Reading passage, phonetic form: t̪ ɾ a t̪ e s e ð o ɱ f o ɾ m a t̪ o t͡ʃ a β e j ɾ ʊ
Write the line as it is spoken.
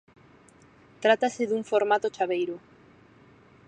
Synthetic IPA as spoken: t̪ ɾ a t̪ a s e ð u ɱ f o ɾ m a t̪ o t͡ʃ a β e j ɾ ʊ